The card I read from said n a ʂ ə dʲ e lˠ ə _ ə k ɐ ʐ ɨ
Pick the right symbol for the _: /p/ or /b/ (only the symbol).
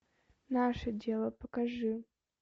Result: p